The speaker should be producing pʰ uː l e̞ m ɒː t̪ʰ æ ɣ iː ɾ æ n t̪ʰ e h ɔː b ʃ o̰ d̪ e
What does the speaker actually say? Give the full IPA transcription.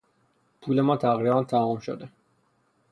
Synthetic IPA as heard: pʰ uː l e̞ m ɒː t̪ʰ æ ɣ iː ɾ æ n t̪ʰ æ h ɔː m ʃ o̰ d̪ e